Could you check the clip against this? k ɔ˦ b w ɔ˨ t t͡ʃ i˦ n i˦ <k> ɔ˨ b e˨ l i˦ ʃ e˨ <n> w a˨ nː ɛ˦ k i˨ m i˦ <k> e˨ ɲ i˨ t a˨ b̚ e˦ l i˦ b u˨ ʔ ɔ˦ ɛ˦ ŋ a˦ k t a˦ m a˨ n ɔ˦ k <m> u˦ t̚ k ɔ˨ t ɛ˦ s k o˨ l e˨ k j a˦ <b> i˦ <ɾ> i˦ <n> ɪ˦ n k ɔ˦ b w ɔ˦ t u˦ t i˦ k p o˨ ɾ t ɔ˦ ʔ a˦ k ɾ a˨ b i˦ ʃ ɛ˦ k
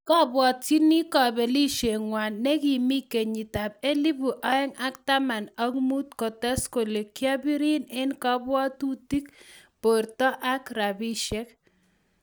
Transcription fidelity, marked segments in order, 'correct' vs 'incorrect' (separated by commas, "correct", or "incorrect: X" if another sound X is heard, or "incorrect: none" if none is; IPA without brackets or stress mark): correct, incorrect: ŋ, correct, correct, correct, correct, correct